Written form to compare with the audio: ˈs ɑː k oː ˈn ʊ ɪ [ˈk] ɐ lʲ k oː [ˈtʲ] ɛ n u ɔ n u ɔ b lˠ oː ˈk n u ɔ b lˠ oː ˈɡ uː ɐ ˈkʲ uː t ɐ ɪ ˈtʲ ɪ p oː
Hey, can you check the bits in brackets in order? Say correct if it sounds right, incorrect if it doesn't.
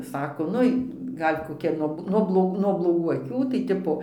incorrect, incorrect

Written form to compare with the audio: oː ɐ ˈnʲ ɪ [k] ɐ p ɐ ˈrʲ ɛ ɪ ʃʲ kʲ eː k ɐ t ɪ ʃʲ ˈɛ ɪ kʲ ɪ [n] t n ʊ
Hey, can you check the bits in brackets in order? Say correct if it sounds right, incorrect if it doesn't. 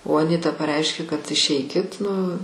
incorrect, incorrect

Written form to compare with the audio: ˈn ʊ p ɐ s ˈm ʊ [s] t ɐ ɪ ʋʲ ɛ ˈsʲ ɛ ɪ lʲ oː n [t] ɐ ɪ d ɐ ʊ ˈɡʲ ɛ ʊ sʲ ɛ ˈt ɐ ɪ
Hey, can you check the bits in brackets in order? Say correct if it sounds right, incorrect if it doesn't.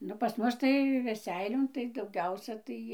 correct, correct

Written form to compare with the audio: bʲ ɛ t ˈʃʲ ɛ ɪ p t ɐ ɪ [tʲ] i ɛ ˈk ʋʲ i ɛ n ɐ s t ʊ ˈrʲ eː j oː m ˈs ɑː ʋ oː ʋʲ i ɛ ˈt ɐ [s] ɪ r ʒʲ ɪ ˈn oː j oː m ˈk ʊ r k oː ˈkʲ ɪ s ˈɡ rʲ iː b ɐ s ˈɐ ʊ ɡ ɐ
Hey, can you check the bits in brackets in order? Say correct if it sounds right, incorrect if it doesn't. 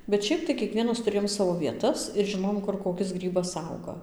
incorrect, correct

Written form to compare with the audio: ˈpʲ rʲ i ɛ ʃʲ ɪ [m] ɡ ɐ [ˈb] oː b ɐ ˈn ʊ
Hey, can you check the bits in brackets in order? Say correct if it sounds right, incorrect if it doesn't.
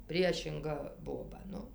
incorrect, correct

